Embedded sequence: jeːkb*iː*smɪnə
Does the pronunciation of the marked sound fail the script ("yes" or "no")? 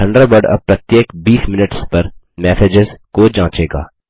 no